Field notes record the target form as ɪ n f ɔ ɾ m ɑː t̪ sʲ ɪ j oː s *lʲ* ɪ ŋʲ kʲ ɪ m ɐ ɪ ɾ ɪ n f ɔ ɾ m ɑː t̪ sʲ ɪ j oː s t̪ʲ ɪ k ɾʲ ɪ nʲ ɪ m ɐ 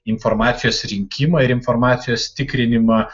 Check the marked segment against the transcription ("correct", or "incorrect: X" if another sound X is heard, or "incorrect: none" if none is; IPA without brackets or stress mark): incorrect: ɾʲ